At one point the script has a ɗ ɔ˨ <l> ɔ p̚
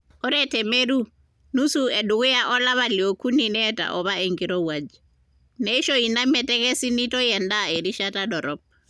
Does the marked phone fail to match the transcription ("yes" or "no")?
yes